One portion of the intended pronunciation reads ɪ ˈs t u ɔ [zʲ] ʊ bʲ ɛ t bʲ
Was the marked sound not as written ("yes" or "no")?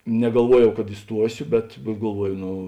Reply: yes